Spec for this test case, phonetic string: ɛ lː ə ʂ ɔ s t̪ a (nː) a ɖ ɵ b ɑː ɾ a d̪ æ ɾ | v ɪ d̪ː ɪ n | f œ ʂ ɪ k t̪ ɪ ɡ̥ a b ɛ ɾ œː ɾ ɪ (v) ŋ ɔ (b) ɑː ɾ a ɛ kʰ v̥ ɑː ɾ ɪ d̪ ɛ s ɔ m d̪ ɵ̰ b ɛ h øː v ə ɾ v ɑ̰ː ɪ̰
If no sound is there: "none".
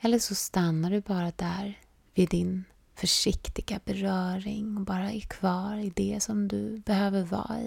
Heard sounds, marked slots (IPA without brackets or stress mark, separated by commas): nː, none, b